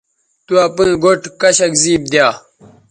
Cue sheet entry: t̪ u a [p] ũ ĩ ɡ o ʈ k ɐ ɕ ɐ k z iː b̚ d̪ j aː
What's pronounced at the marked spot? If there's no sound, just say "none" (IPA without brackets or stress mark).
p